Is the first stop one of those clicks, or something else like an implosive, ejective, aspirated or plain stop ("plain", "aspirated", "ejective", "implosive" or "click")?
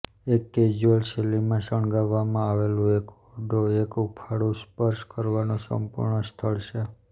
plain